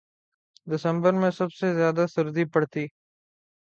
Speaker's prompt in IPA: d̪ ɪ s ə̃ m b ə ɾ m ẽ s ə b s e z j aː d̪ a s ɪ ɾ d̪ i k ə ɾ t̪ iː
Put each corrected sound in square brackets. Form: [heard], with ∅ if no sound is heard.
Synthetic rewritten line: d̪ ɪ s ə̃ m b ə ɾ m ẽ s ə b s e z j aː d̪ a s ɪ ɾ d̪ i [p] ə [ɽ] t̪ iː